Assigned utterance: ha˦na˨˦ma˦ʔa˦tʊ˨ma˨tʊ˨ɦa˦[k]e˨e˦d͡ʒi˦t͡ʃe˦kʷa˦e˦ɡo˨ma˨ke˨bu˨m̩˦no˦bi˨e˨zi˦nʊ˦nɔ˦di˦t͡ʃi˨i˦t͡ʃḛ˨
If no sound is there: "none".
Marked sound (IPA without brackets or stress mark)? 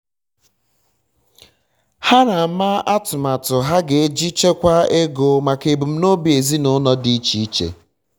ɡ